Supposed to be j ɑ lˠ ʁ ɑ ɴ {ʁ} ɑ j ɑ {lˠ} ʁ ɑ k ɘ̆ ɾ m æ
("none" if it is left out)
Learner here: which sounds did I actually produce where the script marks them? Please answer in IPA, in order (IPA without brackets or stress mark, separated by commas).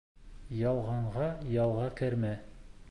ʁ, lˠ